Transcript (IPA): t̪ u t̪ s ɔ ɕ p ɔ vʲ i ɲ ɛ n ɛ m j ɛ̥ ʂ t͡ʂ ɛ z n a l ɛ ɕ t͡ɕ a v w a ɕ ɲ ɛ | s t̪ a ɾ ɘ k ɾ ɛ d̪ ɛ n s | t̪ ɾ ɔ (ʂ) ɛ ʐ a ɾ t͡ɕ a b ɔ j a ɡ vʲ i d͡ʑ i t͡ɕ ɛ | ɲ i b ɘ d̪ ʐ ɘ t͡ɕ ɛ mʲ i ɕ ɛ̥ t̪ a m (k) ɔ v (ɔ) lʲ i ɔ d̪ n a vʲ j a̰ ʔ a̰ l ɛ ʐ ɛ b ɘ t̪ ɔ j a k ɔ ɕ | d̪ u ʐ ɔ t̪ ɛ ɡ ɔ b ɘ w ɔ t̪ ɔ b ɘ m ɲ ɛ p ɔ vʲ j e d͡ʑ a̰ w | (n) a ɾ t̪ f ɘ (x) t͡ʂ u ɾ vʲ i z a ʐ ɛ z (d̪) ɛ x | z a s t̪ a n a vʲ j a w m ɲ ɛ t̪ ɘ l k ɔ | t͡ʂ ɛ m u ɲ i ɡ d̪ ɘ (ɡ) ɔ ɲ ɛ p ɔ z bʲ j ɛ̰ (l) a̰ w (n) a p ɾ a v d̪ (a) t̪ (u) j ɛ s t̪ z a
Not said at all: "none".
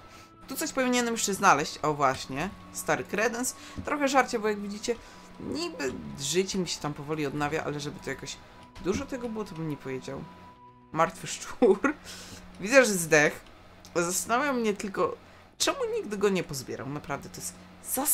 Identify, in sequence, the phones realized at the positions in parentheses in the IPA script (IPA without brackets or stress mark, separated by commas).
x, p, ɔ, m, ʂ, d̪, ɡ, ɾ, n, ɛ, ɔ